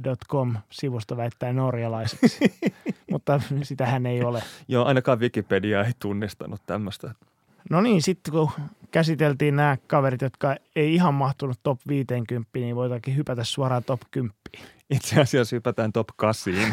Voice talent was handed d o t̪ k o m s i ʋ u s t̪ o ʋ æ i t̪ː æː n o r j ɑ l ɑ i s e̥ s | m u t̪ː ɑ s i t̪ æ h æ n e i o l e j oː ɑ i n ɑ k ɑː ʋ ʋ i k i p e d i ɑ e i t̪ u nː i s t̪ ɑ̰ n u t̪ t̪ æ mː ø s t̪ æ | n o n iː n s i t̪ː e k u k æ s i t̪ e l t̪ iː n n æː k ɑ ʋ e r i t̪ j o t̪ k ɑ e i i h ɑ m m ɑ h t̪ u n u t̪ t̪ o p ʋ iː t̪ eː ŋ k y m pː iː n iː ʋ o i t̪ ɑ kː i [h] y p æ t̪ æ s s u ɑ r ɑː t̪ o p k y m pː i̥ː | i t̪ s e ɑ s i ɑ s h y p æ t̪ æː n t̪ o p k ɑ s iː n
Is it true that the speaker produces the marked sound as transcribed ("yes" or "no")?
yes